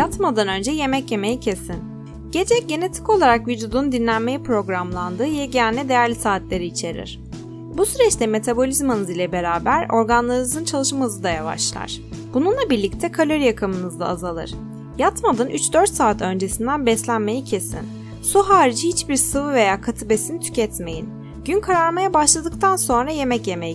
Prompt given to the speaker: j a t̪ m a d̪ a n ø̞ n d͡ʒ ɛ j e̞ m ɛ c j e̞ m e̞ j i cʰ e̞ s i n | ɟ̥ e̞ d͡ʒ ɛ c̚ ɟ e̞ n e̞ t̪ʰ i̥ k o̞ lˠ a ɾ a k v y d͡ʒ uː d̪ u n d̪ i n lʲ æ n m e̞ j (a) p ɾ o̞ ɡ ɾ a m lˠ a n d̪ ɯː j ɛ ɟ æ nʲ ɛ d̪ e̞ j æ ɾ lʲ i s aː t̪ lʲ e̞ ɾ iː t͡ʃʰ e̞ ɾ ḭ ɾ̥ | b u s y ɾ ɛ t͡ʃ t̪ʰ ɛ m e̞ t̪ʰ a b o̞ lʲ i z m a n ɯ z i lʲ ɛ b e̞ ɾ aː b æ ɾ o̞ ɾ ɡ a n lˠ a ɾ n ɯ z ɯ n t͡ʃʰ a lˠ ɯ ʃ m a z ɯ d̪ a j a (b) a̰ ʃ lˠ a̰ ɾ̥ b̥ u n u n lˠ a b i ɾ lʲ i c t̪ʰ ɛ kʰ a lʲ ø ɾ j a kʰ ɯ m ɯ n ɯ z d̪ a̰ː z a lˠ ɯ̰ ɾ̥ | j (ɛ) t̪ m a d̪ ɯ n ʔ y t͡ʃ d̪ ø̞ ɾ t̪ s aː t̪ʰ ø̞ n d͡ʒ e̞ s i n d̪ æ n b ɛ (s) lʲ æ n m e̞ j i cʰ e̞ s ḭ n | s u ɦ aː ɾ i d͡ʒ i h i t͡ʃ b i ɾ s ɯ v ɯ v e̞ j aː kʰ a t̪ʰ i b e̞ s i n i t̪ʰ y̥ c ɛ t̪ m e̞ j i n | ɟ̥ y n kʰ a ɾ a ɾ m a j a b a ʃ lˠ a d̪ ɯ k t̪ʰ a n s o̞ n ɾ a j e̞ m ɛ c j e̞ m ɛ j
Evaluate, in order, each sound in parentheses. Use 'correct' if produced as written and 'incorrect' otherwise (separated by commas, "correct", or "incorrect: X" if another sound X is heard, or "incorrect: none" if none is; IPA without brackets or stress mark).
incorrect: i, incorrect: v, incorrect: a, correct